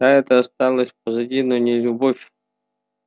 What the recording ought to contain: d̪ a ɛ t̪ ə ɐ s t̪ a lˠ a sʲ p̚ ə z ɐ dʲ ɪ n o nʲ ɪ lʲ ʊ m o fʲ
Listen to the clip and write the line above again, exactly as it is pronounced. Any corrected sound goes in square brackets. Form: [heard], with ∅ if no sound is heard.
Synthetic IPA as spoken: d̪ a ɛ t̪ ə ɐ s t̪ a lˠ [ə] sʲ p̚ ə z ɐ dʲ [i] n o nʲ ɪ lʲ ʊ [b] o fʲ